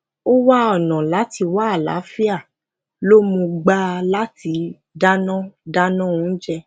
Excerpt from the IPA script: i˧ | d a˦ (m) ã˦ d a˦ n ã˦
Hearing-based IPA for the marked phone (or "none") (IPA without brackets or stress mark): n